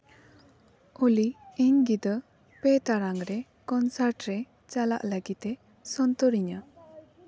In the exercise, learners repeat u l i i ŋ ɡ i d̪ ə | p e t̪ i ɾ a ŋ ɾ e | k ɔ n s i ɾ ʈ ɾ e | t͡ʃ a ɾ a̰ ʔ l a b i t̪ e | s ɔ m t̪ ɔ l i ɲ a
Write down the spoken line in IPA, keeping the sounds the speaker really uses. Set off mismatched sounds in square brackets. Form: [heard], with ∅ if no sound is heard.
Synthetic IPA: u l i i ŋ ɡ i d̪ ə | p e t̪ [a] ɾ a ŋ ɾ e | k ɔ n s [a] ɾ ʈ ɾ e | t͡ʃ a [l] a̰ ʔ l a [ɡ] i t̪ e | s ɔ [n] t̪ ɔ [ɾ] i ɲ a